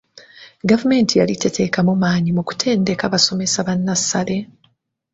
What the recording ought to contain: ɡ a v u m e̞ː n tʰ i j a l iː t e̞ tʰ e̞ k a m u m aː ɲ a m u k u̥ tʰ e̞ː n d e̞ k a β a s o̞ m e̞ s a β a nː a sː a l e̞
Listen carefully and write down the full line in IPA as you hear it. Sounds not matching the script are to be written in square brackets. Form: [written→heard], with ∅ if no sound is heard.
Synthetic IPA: ɡ a v u m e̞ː n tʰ i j a l [iː→i] t e̞ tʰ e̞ k a m u m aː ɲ [a→i] m u k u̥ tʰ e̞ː n d e̞ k a β a s o̞ m e̞ s a β a nː a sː a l e̞